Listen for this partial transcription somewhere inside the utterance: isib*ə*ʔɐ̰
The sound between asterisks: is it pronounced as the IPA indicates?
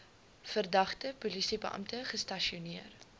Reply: yes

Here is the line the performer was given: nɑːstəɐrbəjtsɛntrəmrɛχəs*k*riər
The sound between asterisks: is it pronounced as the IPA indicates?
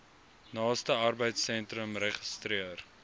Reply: no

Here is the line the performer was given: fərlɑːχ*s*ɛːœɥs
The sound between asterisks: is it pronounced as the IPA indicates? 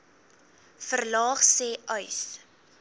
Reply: yes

